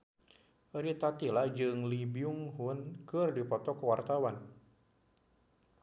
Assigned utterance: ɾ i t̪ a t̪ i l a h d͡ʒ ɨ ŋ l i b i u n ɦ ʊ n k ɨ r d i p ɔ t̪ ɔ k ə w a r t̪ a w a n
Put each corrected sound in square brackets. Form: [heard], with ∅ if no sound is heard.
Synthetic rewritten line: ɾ i t̪ a t̪ i l a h d͡ʒ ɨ ŋ l i b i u [ŋ] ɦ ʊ n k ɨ r d i p ɔ t̪ ɔ k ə w a r t̪ a w a n